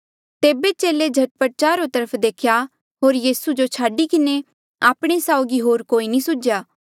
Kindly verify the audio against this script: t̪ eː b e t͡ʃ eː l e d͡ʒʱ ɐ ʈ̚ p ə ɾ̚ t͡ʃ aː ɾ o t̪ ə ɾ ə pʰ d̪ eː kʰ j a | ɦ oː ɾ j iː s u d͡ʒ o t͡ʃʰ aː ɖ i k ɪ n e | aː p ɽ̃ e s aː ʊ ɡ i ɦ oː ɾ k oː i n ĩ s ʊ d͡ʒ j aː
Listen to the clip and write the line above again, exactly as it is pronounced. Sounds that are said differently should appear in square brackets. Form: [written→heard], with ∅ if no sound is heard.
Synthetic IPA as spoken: t̪ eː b e t͡ʃ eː l e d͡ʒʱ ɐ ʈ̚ p ə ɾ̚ t͡ʃ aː ɾ o t̪ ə ɾ ə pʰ d̪ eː kʰ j a | ɦ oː ɾ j iː s u d͡ʒ o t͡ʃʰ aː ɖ i k ɪ n e | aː p ɽ̃ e s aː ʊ ɡ i ɦ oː ɾ k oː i n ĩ s ʊ d͡ʒ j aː